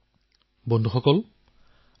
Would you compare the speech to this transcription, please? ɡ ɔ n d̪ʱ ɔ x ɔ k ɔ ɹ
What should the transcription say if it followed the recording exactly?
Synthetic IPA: b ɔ n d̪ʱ u x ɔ k ɔ l